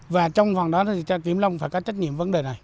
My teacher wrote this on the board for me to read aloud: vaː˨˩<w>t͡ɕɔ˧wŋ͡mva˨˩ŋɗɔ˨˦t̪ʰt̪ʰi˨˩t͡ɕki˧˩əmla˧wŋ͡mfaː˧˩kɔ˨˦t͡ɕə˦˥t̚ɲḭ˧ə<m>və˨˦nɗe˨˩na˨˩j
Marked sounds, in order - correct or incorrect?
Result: incorrect: none, correct

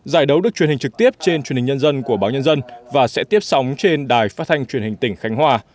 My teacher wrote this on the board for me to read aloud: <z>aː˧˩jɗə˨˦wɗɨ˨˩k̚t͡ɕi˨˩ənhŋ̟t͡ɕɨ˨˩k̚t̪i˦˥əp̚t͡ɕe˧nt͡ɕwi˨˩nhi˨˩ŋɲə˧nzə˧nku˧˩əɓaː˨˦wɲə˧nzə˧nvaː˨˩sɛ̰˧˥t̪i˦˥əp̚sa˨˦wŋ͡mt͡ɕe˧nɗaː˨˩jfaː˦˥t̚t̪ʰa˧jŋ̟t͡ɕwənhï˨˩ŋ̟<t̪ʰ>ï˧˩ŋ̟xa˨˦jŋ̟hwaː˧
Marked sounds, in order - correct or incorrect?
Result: correct, incorrect: t̪

